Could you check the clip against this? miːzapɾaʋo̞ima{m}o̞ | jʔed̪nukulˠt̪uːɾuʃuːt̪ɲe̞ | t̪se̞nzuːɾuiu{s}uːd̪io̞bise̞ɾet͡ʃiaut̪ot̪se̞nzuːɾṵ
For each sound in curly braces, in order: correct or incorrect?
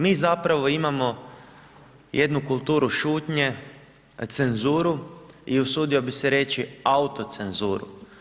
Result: correct, correct

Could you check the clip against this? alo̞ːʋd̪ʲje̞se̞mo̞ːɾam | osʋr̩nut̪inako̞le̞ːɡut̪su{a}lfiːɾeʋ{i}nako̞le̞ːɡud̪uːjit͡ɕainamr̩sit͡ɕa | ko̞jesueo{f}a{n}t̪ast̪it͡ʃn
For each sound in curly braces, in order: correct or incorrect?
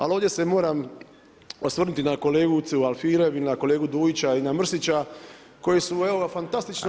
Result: correct, correct, correct, correct

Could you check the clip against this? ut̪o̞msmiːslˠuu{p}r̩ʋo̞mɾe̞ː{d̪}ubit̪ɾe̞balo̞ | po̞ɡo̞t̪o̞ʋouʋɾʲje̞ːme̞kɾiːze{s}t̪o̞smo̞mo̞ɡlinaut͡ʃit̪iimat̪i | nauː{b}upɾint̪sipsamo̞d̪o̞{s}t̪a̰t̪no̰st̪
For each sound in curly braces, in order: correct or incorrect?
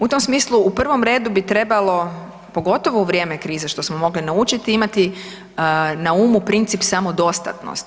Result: correct, correct, incorrect: ʃ, incorrect: m, correct

